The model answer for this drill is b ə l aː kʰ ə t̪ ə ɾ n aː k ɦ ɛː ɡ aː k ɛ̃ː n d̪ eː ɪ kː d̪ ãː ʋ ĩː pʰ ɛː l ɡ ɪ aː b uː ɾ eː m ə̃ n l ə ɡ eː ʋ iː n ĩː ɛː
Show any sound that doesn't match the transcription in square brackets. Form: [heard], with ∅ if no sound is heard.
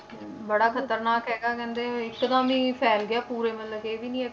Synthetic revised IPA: b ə [ɽ] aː kʰ ə t̪ ə ɾ n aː k ɦ ɛː ɡ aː k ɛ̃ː n d̪ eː ɪ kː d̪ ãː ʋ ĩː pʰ ɛː l ɡ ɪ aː [p] uː ɾ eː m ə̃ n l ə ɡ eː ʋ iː n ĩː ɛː